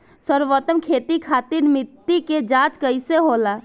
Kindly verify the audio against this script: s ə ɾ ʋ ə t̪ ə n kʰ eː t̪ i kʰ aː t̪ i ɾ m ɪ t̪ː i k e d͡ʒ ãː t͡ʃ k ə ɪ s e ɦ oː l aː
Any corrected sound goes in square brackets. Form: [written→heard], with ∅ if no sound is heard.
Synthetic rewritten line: s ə ɾ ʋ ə t̪ ə [n→m] kʰ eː t̪ i kʰ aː t̪ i ɾ m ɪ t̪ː i k e d͡ʒ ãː t͡ʃ k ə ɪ s e ɦ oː l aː